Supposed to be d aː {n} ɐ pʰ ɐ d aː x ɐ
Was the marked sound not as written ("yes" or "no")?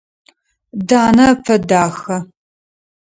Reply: no